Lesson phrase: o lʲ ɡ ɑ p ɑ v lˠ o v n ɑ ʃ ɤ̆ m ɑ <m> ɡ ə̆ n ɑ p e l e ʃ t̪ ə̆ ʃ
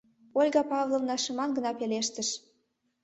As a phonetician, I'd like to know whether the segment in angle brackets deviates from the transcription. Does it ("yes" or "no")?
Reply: yes